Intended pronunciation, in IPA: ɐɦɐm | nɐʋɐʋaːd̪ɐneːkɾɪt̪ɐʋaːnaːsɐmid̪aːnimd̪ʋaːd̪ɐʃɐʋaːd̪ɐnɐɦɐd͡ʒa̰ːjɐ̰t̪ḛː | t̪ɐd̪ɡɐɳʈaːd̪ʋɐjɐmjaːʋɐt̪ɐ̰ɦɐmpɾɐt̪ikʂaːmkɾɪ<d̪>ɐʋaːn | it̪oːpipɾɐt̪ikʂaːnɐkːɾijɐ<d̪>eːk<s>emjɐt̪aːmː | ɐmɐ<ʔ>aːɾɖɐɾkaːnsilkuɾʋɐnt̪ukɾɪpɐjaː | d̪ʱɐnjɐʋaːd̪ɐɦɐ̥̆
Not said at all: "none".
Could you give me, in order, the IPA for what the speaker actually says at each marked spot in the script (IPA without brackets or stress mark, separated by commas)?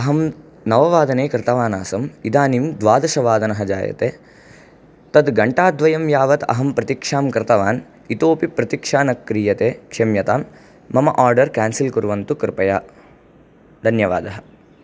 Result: t̪, t̪, ʂ, ʔ